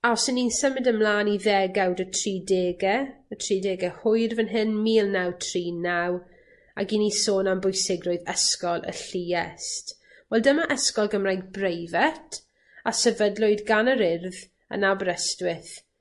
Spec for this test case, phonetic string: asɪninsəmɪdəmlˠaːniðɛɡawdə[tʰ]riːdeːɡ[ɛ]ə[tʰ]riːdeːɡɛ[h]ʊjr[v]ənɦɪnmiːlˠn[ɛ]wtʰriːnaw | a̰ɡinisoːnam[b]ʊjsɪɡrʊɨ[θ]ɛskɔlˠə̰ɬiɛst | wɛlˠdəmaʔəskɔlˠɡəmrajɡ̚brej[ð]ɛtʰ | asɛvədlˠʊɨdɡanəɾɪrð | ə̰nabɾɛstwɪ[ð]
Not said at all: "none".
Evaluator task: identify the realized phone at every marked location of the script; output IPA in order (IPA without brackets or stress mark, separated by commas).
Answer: tʰ, ɛ, tʰ, h, v, a, b, ð, v, θ